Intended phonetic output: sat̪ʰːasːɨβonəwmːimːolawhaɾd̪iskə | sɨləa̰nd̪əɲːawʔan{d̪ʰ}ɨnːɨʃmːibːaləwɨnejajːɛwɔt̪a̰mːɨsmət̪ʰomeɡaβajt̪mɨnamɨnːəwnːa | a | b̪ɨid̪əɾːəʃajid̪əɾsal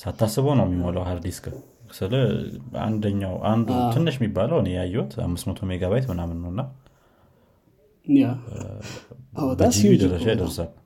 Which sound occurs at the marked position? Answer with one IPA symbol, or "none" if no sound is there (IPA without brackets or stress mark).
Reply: d̪ʰ